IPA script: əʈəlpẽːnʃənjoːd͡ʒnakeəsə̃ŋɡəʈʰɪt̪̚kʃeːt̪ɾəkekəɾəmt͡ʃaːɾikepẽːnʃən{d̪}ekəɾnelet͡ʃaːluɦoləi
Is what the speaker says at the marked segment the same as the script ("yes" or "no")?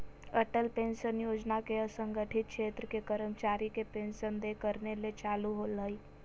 yes